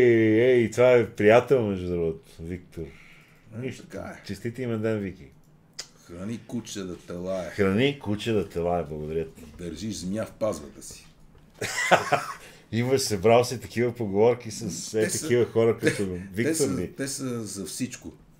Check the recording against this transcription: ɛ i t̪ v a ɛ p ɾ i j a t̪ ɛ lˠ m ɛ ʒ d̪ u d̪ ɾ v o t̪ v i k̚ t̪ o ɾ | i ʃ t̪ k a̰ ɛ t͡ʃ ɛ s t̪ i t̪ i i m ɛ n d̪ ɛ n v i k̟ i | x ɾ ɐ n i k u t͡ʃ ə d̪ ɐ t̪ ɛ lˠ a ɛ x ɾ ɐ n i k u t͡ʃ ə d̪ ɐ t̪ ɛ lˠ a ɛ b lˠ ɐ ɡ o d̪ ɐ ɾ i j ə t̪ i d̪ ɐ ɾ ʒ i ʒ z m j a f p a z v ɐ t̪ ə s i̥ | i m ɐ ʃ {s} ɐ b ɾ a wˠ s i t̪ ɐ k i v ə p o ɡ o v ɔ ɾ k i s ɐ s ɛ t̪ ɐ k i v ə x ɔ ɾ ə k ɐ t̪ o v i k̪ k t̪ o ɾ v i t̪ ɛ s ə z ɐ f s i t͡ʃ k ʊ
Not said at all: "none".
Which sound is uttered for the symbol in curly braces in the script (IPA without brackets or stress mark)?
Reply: s